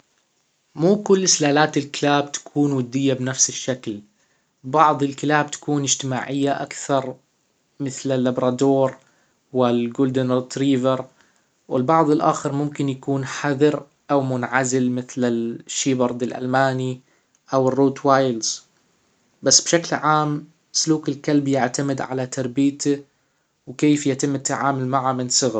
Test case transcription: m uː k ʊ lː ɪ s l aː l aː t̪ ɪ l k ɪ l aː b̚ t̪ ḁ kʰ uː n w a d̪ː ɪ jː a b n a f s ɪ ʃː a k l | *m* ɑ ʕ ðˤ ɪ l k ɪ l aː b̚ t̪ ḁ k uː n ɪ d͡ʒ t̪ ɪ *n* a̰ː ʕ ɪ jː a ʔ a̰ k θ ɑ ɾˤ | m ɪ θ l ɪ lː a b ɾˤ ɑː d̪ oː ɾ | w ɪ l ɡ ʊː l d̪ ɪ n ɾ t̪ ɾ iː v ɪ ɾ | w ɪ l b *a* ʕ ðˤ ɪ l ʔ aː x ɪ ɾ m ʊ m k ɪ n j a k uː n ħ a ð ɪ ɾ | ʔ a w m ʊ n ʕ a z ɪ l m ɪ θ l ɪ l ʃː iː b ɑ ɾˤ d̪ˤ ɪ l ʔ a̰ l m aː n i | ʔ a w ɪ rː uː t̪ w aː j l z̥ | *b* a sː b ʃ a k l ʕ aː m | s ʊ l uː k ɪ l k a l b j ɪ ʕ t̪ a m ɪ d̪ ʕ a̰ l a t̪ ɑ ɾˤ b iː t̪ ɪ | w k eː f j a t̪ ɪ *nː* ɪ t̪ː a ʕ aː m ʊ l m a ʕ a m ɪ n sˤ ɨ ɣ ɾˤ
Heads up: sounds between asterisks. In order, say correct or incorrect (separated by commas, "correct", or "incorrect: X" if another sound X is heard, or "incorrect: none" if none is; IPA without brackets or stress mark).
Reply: incorrect: b, incorrect: m, incorrect: ɑ, correct, incorrect: mː